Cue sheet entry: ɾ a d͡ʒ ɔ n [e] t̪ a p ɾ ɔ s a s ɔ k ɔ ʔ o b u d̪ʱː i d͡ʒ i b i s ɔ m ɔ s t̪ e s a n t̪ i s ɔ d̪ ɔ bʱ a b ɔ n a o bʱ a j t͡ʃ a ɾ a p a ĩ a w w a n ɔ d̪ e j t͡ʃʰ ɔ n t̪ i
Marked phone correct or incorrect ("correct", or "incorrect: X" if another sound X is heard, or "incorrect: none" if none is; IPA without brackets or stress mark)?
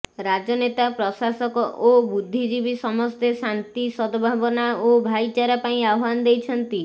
correct